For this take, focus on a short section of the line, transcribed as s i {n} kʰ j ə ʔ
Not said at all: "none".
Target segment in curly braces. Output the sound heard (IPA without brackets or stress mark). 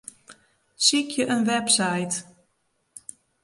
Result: none